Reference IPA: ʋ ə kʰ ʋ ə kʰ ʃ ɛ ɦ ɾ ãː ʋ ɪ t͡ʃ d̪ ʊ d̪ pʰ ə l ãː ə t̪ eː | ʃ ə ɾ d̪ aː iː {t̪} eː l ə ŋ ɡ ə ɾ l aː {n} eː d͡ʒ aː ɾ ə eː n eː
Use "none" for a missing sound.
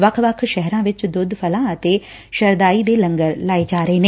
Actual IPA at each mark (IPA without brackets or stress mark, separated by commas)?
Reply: d̪, none